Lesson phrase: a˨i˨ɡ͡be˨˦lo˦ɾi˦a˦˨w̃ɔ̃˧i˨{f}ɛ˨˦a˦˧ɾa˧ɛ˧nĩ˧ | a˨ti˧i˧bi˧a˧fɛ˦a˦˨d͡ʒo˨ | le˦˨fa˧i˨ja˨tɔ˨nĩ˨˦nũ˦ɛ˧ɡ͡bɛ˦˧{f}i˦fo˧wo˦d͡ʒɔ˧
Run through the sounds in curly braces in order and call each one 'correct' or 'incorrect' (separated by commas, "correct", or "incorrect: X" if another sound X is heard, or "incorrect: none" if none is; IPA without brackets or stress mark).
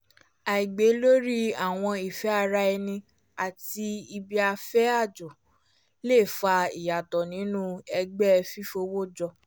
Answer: correct, correct